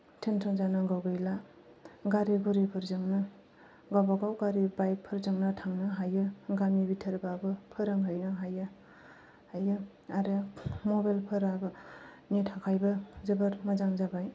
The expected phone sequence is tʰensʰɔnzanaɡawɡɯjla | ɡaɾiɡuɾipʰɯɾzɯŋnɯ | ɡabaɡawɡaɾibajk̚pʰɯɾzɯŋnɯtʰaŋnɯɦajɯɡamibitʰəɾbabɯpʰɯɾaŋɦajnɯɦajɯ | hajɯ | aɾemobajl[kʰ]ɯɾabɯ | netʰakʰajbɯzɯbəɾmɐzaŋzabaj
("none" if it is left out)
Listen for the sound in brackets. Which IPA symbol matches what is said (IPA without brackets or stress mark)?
pʰ